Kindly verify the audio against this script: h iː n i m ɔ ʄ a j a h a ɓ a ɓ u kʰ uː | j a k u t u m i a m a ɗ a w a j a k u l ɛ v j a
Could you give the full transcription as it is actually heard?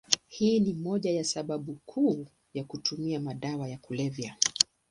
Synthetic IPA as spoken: h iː n i m ɔ ʄ a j a s a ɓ a ɓ u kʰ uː | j a k u t u m i a m a ɗ a w a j a k u l ɛ v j a